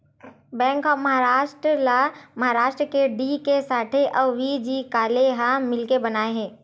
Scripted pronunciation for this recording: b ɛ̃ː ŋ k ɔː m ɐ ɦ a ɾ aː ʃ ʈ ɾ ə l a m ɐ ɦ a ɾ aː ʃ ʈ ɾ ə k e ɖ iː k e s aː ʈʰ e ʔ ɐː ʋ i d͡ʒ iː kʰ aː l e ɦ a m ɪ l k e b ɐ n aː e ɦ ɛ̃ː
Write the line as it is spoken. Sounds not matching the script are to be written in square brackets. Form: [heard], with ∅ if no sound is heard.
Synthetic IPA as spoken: b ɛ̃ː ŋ k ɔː m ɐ ɦ a ɾ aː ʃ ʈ ɾ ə l a m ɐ ɦ a ɾ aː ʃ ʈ ɾ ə k e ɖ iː k e s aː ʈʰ e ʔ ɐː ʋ i d͡ʒ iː [k] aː l e ɦ a m ɪ l k e b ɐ n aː e ɦ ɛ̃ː